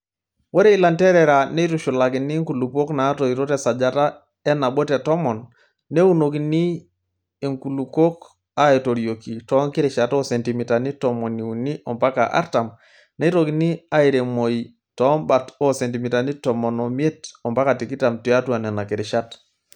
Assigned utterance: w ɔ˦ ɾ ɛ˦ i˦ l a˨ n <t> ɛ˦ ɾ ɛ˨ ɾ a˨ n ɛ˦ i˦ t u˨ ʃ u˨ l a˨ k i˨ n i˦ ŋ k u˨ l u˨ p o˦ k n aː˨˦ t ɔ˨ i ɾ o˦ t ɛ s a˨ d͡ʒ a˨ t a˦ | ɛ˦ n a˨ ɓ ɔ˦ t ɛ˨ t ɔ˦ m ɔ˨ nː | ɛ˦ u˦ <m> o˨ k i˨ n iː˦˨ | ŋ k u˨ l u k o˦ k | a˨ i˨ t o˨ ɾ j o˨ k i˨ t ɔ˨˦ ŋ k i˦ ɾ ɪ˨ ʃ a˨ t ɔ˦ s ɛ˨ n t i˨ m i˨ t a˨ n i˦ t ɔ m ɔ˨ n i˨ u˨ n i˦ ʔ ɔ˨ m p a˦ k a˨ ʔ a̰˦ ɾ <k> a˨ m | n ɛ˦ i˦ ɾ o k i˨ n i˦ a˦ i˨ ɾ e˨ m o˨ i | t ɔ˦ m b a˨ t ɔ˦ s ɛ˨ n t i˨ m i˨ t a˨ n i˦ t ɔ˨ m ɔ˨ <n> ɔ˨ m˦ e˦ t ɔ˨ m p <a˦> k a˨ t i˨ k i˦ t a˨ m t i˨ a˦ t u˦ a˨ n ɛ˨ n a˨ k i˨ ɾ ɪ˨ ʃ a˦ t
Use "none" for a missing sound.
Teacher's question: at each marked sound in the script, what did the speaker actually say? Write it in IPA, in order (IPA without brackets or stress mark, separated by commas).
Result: t, n, t, n, a˦